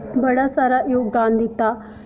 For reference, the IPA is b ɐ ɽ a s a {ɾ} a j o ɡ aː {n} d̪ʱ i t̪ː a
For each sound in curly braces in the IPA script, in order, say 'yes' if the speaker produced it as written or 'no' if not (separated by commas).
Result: yes, yes